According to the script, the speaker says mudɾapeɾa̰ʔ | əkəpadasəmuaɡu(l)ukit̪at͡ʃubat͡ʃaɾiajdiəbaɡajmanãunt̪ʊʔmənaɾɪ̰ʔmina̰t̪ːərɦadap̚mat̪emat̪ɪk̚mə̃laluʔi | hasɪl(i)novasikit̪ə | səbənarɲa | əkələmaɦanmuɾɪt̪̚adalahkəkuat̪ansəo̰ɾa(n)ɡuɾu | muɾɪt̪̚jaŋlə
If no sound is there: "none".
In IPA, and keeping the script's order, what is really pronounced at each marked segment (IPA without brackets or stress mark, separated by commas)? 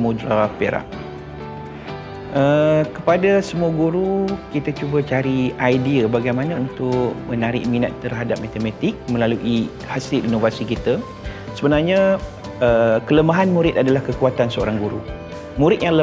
ɾ, i, ŋ